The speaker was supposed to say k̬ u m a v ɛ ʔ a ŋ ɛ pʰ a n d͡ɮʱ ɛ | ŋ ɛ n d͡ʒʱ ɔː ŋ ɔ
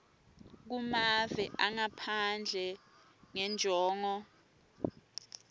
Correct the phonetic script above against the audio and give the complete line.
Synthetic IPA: k̬ u m a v ɛ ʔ a ŋ a pʰ a n d͡ɮʱ ɛ | ŋ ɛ n d͡ʒʱ ɔː ŋ ɔ